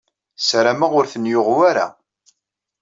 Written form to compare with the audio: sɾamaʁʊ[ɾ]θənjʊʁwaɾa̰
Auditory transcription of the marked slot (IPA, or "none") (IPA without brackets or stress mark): ɾ